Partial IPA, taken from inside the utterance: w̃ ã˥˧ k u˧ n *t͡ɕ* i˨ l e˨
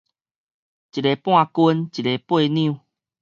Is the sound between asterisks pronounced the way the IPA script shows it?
yes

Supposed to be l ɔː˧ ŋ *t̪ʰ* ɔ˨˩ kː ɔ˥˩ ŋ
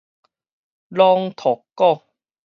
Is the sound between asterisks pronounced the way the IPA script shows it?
yes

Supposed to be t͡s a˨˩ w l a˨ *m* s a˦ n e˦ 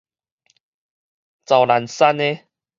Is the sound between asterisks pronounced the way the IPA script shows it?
no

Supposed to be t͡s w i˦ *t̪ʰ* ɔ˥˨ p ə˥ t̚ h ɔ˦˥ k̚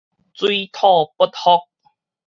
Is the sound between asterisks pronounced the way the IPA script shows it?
yes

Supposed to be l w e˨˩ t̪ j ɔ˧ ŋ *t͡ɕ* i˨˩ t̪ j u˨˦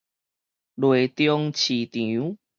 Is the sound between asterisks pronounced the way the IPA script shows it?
no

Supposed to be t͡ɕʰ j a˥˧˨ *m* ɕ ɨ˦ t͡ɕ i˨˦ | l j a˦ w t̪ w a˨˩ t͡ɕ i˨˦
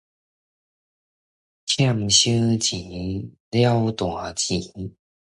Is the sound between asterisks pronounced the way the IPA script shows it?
yes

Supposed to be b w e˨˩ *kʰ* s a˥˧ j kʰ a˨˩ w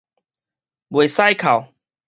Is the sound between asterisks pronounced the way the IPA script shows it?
no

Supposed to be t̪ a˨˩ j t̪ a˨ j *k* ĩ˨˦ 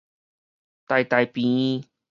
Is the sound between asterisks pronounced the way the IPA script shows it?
no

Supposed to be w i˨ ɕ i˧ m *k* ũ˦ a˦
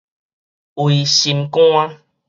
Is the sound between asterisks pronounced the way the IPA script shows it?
yes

